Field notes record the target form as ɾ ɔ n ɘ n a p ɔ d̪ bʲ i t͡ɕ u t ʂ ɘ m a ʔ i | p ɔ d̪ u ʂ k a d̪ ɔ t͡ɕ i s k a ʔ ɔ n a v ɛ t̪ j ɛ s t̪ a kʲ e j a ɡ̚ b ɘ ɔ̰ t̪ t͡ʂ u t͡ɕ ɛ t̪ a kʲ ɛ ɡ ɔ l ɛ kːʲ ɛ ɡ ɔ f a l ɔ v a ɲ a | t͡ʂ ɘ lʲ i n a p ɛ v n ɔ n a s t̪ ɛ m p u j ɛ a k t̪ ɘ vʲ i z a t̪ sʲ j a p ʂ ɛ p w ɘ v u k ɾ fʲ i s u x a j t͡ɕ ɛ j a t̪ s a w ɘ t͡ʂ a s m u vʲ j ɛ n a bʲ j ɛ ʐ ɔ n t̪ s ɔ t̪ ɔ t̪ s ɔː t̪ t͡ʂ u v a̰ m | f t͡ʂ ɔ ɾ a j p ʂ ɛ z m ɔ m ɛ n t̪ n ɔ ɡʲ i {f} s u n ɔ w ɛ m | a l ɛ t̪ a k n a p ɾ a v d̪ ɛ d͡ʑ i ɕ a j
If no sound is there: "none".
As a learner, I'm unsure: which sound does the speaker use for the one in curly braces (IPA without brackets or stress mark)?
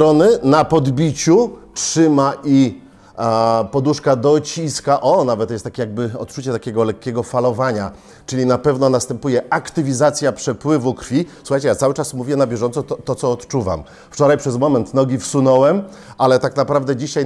f